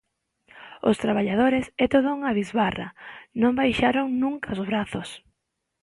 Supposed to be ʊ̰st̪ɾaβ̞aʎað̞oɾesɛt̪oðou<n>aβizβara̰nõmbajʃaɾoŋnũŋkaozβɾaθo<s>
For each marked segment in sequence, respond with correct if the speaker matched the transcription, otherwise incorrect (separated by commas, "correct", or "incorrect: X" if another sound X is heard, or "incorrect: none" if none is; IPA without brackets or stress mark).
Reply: incorrect: ŋ, correct